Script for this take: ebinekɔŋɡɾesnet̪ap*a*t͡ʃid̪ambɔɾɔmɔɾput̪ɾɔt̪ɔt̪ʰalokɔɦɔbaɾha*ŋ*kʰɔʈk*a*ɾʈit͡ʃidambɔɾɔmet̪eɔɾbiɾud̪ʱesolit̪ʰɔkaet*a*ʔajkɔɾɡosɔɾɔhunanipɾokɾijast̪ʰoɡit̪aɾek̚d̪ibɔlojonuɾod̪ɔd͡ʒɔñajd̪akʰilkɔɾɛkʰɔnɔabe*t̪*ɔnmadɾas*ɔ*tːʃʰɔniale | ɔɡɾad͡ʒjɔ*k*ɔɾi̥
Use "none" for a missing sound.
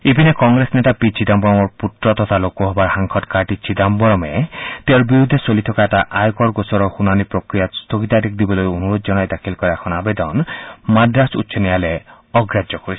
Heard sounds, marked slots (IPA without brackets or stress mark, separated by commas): i, ŋ, a, a, d̪, u, k